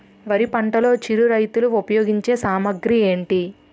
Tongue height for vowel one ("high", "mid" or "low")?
low